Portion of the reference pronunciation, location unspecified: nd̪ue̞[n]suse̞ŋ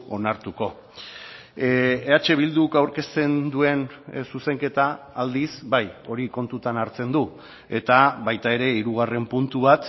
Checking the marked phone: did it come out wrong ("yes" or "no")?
no